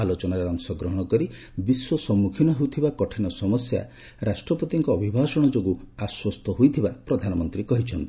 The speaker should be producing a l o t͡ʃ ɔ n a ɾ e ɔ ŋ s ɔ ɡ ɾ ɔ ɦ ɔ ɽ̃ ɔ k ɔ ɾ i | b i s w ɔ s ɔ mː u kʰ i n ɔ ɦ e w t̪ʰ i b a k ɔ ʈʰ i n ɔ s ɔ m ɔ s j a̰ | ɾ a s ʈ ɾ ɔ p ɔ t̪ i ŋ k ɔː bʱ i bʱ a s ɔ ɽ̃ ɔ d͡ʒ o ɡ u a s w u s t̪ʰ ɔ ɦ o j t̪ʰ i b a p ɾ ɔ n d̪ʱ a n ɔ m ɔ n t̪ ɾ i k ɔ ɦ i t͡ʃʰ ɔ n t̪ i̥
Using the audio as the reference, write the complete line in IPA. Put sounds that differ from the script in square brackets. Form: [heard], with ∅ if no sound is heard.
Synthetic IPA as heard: a l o t͡ʃ ɔ n a ɾ e ɔ ŋ s ɔ ɡ ɾ ɔ ɦ ɔ ɽ̃ ɔ k ɔ ɾ i | b i s w ɔ s ɔ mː u kʰ i n ɔ ɦ e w t̪ʰ i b a k ɔ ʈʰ i n ɔ s ɔ m ɔ s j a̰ | ɾ a s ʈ ɾ ɔ p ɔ t̪ i ŋ k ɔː bʱ i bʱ a s ɔ ɽ̃ ɔ d͡ʒ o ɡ u a s w [ɔ] s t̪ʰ ɔ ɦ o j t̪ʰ i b a p ɾ ɔ [∅] d̪ʱ a n ɔ m ɔ n t̪ ɾ i k ɔ ɦ i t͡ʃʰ ɔ n t̪ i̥